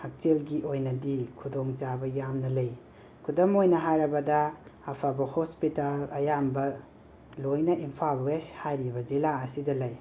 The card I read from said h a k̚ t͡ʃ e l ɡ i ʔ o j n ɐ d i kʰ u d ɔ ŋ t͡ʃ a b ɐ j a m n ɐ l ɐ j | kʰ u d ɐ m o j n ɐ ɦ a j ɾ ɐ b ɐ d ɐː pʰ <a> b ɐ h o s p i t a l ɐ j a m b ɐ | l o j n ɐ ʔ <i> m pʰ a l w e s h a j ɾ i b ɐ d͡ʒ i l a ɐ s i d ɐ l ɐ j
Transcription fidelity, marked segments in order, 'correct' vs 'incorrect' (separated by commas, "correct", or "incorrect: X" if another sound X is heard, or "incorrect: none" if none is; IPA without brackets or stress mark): correct, correct